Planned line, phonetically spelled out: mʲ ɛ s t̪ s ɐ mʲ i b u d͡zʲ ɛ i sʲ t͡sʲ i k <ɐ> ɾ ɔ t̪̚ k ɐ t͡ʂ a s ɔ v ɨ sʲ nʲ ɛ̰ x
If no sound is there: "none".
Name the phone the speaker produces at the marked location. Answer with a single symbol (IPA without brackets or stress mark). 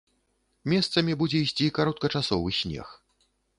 a